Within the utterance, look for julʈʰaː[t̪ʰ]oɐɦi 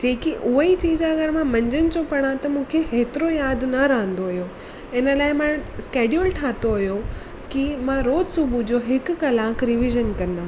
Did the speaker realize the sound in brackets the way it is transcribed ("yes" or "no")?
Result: no